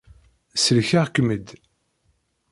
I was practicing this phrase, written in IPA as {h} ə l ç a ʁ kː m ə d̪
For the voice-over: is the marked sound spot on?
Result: no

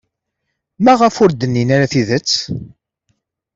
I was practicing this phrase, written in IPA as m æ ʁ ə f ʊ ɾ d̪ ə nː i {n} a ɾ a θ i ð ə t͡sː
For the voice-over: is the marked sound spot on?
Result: yes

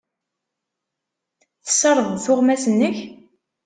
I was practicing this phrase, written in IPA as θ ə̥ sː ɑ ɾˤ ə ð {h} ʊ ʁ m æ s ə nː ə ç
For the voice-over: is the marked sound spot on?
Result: no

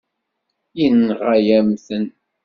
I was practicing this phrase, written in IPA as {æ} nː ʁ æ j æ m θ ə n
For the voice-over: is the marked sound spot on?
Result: no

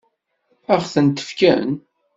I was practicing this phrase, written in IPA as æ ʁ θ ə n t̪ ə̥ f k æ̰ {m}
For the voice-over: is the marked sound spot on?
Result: no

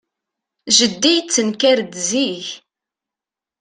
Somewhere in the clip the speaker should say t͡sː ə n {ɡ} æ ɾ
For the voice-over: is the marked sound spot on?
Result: no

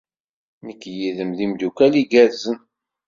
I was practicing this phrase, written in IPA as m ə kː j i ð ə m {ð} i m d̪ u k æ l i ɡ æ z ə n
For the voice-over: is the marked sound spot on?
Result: yes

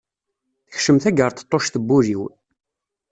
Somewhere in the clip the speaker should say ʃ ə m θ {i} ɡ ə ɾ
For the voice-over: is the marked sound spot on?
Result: no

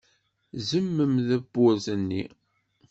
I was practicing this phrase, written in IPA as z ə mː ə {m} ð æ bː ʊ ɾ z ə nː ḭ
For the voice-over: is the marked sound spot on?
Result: yes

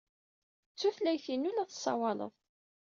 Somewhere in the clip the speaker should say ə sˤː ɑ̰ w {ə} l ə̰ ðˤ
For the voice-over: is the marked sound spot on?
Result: no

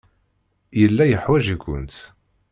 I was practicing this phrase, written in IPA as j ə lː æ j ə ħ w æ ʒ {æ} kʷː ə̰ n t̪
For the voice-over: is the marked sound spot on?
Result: no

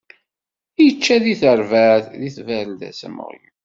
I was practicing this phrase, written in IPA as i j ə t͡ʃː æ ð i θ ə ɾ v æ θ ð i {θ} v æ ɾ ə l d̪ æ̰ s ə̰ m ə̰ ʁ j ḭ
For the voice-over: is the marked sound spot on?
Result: yes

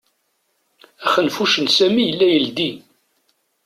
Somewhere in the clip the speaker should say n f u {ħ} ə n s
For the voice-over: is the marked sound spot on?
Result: no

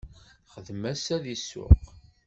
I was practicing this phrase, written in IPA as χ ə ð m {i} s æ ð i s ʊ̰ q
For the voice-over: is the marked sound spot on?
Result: no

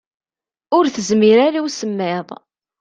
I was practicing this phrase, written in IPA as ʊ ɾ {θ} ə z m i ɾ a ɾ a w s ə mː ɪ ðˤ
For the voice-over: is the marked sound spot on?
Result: yes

